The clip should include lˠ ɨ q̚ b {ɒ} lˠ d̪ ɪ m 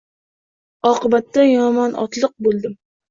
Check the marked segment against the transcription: incorrect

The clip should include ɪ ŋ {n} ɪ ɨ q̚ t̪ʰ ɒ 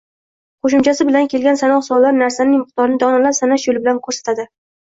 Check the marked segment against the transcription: incorrect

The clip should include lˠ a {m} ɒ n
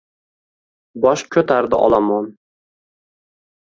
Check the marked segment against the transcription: correct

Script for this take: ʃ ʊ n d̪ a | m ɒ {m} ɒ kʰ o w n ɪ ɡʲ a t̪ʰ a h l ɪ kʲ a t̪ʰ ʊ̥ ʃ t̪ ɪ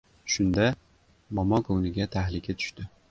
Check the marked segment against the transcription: correct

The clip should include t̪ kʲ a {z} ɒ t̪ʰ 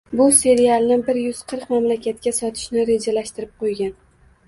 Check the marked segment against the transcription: incorrect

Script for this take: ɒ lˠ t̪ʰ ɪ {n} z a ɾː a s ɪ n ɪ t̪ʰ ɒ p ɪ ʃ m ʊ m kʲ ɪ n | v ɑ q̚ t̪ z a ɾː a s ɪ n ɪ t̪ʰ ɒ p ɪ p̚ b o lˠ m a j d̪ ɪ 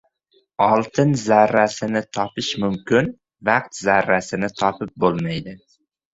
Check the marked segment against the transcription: correct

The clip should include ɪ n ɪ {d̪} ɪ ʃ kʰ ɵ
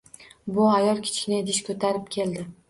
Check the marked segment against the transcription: correct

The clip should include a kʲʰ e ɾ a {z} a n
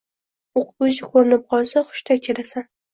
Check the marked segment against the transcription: incorrect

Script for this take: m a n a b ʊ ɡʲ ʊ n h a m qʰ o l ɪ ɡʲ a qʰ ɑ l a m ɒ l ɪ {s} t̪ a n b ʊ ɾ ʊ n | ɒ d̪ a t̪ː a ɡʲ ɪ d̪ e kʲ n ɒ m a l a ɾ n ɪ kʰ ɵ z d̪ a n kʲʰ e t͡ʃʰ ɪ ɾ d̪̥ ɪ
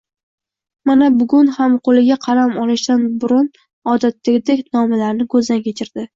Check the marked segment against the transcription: incorrect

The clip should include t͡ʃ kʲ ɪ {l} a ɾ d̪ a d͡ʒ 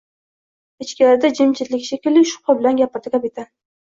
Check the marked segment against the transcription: correct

